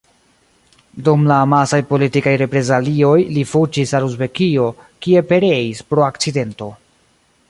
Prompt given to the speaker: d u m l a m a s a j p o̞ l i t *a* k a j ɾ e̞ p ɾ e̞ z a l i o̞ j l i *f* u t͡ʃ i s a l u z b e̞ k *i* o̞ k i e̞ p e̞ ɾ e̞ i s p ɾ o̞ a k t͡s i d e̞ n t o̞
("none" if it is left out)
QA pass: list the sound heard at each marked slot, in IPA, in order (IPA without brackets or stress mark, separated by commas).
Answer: i, f, i